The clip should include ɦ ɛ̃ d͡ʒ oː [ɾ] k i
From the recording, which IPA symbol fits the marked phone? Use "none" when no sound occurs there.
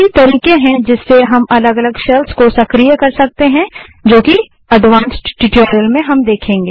none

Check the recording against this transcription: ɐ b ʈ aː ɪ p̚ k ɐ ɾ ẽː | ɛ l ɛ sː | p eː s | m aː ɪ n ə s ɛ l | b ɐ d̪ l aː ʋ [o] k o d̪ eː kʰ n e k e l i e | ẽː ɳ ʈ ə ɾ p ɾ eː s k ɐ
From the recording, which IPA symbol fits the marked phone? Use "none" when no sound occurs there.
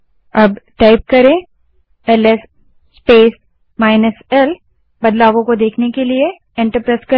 õ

